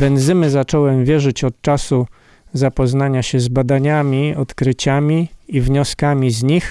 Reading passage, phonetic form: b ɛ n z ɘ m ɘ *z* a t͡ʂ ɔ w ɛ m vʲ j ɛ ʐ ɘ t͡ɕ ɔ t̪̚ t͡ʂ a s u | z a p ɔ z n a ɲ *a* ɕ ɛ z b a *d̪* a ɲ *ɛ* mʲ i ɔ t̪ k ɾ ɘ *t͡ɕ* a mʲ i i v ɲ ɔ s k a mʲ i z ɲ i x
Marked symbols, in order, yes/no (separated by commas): yes, yes, yes, no, yes